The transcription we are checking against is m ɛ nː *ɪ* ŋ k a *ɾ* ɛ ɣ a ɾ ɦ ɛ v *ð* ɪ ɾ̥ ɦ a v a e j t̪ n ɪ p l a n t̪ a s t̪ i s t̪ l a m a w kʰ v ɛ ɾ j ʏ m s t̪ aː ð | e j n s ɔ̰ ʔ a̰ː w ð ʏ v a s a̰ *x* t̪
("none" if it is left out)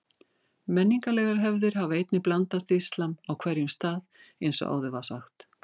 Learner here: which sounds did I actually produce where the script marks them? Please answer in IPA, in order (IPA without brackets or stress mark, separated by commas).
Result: i, l, ð, x